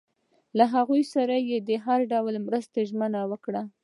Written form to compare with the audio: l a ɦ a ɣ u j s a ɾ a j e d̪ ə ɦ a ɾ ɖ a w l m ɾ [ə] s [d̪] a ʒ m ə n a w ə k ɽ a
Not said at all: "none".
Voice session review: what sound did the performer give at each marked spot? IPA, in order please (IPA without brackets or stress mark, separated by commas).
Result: ə, t̪